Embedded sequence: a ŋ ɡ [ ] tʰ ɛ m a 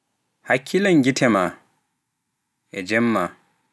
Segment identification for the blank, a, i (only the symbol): i